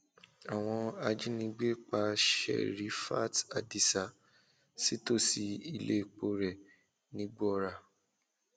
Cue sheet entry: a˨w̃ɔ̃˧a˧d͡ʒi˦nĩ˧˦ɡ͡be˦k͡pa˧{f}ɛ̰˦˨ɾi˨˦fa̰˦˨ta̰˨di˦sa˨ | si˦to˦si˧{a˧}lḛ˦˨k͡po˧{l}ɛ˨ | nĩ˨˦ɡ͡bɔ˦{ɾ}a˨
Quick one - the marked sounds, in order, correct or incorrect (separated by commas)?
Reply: incorrect, incorrect, incorrect, correct